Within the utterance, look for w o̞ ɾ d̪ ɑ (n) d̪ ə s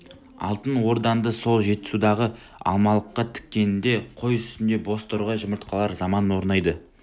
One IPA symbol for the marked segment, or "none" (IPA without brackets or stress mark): n